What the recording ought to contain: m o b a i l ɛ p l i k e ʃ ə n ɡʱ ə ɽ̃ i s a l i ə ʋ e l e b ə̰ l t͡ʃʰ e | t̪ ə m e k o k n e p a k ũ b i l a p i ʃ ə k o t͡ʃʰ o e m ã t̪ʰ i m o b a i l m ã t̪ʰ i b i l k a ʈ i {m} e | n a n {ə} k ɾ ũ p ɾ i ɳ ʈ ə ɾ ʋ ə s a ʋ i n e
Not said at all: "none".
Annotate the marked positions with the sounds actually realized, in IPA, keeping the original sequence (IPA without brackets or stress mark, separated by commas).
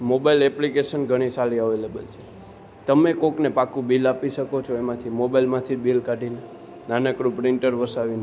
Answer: n, ə